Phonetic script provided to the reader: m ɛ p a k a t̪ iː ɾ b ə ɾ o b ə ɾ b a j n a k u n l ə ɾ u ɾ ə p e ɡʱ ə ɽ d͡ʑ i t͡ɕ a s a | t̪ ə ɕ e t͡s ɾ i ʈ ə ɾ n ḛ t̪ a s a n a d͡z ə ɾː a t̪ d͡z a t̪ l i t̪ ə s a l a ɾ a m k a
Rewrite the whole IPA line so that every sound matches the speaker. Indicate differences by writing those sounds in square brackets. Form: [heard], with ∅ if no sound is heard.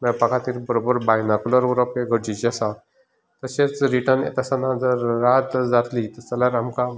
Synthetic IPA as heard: m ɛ p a k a t̪ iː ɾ b ə ɾ o b ə ɾ b a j n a k u [∅] l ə ɾ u ɾ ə p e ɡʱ ə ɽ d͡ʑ i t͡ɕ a s a | t̪ ə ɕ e t͡s ɾ i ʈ ə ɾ n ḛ t̪ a s a n a d͡z ə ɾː a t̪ d͡z a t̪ l i t̪ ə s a l a ɾ a m k a